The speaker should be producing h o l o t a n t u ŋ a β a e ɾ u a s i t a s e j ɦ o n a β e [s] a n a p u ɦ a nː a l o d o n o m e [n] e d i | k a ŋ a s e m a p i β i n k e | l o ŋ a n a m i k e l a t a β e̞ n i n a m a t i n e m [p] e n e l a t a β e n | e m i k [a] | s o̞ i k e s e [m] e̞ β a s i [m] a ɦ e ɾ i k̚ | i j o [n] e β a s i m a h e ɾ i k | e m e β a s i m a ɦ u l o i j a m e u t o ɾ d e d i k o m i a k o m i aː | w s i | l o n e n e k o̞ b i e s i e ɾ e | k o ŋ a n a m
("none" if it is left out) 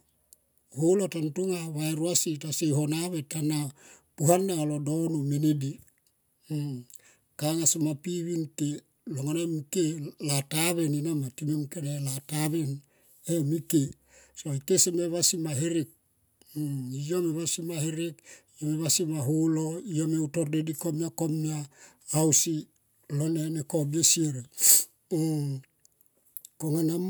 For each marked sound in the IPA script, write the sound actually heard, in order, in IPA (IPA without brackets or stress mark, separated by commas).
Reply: t, n, k, e, m, m, m